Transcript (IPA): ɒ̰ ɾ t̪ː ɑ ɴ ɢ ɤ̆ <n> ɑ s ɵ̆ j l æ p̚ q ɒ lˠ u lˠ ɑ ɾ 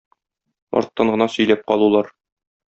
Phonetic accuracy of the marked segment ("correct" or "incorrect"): correct